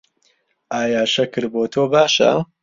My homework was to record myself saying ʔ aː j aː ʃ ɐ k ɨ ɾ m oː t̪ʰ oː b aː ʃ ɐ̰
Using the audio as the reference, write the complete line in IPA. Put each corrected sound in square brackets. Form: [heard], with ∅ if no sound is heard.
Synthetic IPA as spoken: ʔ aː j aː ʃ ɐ k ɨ ɾ [b] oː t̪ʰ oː b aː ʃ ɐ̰